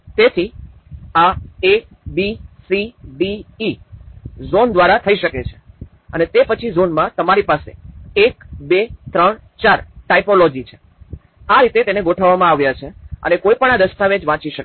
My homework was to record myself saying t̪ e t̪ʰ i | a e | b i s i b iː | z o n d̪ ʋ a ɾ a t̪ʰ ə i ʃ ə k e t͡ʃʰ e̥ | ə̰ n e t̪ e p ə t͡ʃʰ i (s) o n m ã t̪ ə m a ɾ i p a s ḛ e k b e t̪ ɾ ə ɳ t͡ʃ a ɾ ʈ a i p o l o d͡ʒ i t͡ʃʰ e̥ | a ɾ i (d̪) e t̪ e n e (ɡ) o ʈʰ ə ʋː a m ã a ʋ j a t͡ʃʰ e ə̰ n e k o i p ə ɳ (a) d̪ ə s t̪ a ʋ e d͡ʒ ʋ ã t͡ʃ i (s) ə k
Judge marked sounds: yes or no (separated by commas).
no, no, yes, yes, no